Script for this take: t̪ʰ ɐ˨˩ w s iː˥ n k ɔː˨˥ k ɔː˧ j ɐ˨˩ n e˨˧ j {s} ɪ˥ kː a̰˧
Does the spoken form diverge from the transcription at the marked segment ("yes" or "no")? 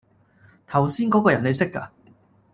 no